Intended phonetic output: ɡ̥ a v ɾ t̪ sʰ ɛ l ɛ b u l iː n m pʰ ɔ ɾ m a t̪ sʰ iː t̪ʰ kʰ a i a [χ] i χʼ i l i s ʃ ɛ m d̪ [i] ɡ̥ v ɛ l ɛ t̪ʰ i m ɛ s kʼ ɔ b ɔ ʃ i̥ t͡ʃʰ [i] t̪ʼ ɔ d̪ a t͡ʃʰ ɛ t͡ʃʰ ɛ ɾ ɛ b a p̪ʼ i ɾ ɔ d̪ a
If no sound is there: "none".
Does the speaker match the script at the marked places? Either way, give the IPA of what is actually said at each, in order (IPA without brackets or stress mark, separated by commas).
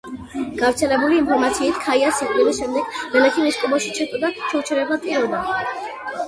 s, ɛ, ɛ